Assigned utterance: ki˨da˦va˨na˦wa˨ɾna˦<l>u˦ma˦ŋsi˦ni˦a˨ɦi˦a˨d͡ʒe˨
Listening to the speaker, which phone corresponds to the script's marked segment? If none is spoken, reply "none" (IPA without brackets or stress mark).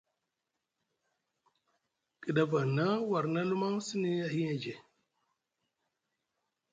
l